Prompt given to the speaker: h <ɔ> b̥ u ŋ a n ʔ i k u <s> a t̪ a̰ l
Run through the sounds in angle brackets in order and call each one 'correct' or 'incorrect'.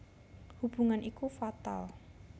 incorrect: u, incorrect: f

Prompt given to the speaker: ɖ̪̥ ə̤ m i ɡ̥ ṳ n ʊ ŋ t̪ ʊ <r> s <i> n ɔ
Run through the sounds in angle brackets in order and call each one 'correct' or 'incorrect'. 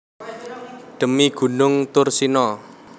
correct, correct

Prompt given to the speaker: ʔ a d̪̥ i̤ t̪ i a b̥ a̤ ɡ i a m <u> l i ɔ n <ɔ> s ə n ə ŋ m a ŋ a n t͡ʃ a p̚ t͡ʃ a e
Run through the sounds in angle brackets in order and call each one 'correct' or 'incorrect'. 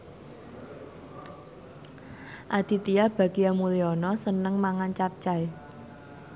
correct, correct

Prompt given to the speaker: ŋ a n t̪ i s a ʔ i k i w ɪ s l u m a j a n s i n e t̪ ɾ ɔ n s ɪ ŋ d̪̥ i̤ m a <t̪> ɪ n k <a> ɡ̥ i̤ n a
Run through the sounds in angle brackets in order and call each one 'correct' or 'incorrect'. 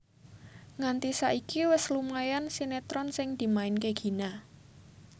incorrect: none, incorrect: e

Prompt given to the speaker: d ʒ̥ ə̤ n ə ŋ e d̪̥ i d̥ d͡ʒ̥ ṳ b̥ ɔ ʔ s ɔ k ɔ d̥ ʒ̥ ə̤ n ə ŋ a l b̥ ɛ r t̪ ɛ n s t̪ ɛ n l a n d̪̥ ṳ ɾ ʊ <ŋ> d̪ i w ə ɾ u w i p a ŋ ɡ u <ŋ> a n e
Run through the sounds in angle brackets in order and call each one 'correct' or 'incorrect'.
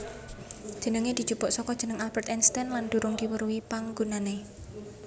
correct, incorrect: n

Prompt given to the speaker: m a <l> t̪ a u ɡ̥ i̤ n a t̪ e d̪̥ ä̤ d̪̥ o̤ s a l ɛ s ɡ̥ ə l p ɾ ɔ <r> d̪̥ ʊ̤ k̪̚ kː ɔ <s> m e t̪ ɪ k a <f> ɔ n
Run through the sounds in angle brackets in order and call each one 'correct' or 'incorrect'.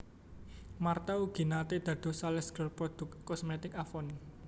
incorrect: r, incorrect: none, correct, correct

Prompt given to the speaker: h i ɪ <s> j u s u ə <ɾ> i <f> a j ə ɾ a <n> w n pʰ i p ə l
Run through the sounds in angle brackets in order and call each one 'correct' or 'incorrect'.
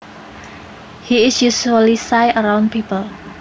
correct, incorrect: l, incorrect: s, incorrect: none

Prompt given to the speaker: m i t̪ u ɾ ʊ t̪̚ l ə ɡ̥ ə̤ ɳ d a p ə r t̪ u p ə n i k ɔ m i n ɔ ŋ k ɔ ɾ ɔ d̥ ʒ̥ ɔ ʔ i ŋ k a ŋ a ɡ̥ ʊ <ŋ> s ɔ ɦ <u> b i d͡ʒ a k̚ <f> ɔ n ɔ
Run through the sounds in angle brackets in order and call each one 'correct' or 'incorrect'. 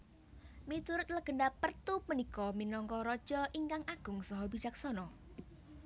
correct, incorrect: ɔ, incorrect: s

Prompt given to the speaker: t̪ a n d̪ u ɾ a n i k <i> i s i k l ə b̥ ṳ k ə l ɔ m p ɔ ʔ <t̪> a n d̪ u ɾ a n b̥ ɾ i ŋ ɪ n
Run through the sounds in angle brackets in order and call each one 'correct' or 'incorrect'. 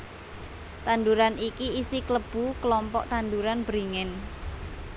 correct, correct

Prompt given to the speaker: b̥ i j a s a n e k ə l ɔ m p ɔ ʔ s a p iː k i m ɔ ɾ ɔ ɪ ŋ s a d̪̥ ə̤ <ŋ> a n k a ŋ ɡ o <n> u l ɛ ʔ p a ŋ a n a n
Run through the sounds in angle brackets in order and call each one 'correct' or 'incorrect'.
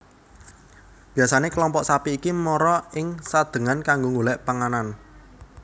correct, incorrect: ŋ

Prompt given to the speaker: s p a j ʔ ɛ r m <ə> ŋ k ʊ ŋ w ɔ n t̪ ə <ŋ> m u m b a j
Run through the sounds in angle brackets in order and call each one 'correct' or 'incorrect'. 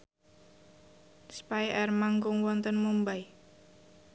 incorrect: a, incorrect: n

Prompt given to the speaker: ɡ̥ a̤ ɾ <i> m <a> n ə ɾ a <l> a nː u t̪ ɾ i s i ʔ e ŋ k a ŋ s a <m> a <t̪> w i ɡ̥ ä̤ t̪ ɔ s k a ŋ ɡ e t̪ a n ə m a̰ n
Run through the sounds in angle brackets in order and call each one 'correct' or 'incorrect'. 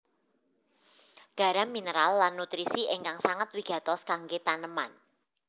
incorrect: a, incorrect: i, incorrect: lː, incorrect: ŋ, correct

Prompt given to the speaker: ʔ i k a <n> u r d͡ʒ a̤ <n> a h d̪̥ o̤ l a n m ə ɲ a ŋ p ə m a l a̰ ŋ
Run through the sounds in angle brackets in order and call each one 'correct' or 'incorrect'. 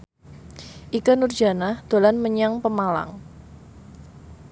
correct, correct

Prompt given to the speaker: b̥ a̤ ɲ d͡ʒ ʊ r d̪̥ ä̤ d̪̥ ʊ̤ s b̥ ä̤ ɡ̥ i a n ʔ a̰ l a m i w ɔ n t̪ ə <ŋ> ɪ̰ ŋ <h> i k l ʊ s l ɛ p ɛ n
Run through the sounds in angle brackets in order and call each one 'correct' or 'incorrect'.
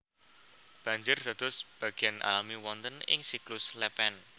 incorrect: n, incorrect: s

